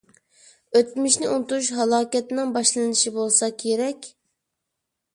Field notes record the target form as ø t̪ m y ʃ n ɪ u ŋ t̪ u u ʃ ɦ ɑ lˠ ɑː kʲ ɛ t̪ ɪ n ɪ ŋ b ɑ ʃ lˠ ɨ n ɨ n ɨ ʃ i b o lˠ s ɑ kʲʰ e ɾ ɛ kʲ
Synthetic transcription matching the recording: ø t̪ m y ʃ n ɪ u n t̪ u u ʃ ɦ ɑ lˠ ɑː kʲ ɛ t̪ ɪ n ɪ ŋ b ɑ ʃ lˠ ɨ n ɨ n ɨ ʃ i b o lˠ s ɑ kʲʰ e ɾ ɛ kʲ